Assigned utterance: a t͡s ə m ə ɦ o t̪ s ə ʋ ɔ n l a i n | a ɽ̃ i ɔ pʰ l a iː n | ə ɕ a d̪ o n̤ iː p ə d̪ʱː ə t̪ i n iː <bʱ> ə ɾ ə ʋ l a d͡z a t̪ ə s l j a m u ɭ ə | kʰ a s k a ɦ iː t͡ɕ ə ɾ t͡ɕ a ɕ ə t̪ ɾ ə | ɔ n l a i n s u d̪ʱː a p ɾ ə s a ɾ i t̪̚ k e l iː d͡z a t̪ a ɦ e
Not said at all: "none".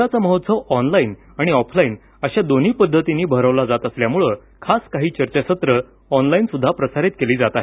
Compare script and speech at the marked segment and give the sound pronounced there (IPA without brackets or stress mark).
bʱ